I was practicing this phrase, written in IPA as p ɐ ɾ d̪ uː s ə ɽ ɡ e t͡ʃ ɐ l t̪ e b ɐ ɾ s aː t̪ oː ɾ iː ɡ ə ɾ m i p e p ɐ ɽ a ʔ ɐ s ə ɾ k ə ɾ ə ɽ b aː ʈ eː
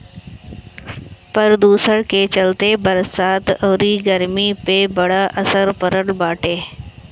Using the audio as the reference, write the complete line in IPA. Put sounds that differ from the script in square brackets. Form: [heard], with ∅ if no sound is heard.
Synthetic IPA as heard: p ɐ ɾ d̪ uː s ə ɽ [k] e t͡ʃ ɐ l t̪ e b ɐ ɾ s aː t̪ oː ɾ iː ɡ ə ɾ m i p e [b] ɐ ɽ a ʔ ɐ s ə ɾ [p] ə ɾ ə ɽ b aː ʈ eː

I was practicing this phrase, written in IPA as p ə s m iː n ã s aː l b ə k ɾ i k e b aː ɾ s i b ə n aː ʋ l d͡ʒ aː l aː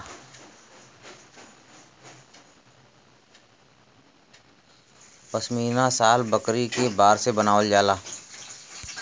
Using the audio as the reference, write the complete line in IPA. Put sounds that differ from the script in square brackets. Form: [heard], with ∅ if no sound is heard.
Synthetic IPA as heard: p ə s m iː n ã s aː l b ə k ɾ i k e b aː ɾ s [e] b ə n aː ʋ l d͡ʒ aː l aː

